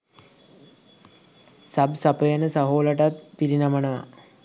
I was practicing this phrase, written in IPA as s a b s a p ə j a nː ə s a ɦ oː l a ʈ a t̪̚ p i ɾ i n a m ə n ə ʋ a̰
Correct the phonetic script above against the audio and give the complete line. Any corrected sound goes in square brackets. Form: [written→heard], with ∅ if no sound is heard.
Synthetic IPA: s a b s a p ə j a [nː→n] ə s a ɦ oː l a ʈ a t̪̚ p i ɾ i n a m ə n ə ʋ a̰